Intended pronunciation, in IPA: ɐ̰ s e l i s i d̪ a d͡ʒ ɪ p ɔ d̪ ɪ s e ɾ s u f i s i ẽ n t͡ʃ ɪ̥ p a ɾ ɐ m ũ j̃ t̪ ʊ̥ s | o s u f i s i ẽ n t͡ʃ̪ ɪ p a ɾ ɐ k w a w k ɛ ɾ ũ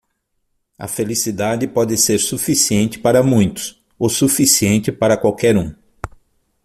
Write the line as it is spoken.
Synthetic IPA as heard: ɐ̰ f e l i s i d̪ a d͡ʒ ɪ p ɔ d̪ ɪ s e ɾ s u f i s i ẽ n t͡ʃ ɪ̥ p a ɾ ɐ m ũ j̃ t̪ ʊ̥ s | o s u f i s i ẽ n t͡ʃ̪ ɪ p a ɾ ɐ k w a w k ɛ ɾ ũ